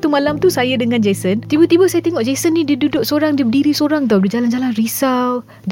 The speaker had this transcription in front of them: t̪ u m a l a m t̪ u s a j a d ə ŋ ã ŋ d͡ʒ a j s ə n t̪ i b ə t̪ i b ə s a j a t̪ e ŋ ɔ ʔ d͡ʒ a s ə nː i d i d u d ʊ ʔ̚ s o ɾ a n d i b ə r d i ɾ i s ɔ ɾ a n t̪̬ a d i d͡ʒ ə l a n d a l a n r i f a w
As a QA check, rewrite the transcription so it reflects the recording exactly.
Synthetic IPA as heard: t̪ u m a l a m t̪ u s a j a d ə ŋ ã n d͡ʒ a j s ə n t̪ i b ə t̪ i b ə s a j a t̪ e ŋ ɔ ʔ d͡ʒ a s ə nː i d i d u d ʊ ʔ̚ s o ɾ a ŋ d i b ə d i ɾ i s o ɾ a ŋ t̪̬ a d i d͡ʒ a l a n d͡ʒ a l a n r i s a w